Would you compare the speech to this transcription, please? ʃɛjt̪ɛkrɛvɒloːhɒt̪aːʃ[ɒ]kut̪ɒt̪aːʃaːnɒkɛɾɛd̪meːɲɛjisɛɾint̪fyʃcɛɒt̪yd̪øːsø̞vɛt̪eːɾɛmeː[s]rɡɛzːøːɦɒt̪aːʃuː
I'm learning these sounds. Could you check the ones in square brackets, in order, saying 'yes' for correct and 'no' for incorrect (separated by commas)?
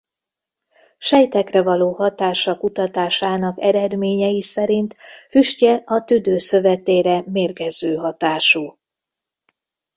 yes, no